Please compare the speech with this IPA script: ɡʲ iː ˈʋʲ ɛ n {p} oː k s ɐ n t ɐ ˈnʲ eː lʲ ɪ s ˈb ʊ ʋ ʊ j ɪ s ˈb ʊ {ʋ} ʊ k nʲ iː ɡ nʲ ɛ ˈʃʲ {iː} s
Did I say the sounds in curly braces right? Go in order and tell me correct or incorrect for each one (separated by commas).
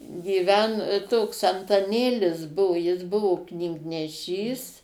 incorrect, correct, correct